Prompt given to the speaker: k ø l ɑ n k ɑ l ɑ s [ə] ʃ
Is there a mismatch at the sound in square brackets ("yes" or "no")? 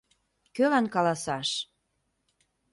yes